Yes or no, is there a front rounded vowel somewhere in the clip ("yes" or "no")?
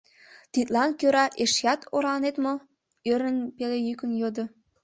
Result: yes